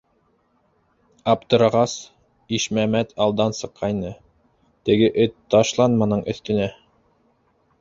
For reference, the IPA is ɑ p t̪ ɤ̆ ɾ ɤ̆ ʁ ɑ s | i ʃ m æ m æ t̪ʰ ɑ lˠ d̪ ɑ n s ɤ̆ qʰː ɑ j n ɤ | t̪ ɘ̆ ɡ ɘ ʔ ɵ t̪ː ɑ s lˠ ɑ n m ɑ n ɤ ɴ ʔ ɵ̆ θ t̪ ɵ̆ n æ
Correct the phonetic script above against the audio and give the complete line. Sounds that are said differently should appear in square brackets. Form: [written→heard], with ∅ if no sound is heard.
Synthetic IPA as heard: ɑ p t̪ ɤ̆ ɾ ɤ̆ ʁ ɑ s | i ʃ m æ m æ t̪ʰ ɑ lˠ d̪ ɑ n s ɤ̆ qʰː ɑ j n ɤ | t̪ ɘ̆ ɡ ɘ ʔ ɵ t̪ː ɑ [s→ʃ] lˠ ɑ n m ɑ n ɤ ɴ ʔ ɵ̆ θ t̪ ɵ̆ n æ